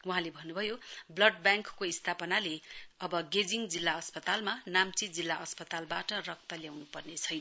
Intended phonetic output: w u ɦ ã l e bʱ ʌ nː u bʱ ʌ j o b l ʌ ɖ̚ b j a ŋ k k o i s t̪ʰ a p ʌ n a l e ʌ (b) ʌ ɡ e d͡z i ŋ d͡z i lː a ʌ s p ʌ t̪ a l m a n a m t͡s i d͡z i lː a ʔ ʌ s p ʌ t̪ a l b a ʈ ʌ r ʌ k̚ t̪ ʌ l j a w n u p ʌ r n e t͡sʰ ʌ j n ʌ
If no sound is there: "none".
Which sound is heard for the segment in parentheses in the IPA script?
b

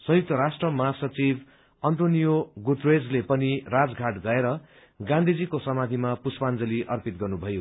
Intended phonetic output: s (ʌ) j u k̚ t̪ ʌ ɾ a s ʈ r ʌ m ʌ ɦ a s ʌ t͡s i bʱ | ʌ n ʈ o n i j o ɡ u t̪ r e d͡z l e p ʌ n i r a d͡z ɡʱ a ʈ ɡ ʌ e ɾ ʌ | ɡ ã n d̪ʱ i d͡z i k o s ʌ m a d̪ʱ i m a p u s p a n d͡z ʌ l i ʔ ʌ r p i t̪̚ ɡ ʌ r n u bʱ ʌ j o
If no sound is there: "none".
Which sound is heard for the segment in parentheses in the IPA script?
ʌ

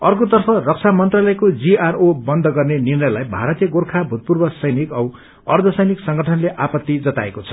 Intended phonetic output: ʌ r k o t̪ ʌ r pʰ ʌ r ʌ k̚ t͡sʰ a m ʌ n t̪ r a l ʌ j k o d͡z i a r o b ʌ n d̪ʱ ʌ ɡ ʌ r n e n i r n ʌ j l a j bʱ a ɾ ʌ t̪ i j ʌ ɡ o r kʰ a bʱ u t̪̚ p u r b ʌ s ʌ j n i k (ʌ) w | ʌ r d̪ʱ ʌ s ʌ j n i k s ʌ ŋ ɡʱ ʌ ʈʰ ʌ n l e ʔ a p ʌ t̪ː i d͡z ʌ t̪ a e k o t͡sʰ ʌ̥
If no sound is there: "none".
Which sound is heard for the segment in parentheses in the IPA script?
ʌ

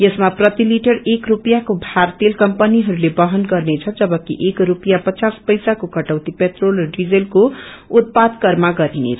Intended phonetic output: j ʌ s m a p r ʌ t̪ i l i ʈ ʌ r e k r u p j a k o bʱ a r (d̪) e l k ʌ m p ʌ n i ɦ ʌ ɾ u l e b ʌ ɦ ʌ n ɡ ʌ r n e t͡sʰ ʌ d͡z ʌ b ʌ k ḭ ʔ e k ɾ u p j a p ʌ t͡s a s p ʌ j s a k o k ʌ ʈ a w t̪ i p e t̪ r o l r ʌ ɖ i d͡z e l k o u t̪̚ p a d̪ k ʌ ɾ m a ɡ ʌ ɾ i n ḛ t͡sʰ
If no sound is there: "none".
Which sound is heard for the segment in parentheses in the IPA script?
t̪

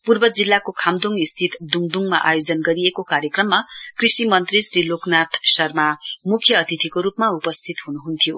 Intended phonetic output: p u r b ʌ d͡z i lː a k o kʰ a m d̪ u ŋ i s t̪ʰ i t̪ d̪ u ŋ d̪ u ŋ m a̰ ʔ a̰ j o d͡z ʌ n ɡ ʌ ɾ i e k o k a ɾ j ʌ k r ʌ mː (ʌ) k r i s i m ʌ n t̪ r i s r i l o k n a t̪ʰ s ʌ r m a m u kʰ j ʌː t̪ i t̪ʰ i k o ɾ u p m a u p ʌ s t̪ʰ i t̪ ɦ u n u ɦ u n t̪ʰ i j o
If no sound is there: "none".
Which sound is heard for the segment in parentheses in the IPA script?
a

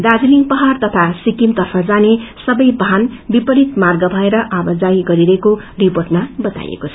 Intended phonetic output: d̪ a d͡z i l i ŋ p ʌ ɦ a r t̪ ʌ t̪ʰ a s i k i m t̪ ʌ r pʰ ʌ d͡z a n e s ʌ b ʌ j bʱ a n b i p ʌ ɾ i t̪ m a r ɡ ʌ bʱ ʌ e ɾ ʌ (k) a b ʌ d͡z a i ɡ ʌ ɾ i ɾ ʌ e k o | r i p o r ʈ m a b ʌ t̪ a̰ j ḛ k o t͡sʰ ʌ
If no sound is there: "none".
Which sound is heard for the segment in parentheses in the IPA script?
ʔ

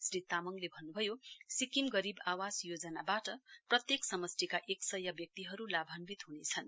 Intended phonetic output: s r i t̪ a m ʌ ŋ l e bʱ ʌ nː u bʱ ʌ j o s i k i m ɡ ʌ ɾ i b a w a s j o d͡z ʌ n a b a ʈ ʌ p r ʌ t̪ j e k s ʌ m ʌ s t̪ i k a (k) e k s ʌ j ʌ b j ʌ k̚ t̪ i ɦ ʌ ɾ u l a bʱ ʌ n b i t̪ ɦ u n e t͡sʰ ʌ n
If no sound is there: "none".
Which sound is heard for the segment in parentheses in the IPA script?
ʔ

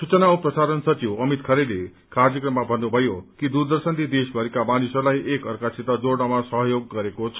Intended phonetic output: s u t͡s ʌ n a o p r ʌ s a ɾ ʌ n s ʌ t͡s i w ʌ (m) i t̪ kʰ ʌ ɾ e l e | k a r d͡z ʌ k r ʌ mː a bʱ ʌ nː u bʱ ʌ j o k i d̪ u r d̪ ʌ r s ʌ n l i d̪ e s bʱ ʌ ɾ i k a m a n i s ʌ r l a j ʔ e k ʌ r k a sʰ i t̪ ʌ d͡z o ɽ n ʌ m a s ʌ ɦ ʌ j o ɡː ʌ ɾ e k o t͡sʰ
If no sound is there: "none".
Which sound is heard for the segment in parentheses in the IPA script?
m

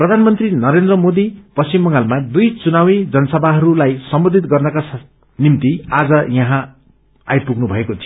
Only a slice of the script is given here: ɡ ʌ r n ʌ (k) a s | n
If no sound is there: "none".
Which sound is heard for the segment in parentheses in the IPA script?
k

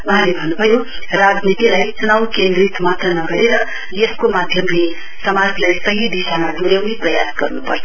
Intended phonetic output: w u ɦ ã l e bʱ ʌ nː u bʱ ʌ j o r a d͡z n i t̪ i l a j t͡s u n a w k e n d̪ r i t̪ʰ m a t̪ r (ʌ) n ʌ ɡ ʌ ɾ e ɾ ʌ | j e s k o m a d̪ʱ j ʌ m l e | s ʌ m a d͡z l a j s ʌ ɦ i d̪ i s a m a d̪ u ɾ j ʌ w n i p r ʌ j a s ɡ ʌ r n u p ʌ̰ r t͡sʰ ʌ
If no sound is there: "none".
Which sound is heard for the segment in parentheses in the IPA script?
ʌ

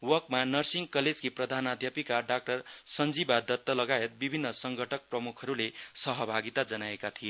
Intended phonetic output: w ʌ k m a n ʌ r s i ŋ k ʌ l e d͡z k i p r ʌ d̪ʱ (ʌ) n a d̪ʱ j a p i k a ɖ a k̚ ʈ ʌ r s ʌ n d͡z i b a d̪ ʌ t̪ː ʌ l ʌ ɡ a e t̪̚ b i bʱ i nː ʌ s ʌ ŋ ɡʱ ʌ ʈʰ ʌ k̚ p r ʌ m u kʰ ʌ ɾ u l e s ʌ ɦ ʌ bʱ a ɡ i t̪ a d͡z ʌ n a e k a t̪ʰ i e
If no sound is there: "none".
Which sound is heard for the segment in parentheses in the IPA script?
a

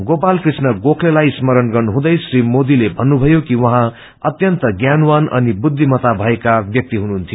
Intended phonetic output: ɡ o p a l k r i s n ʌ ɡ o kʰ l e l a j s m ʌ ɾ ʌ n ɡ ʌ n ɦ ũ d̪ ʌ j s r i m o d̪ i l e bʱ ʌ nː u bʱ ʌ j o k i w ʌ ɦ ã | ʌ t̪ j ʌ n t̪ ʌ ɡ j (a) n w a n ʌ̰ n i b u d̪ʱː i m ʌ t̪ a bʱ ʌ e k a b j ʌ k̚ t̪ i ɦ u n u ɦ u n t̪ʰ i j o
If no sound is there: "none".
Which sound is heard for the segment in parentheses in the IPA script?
a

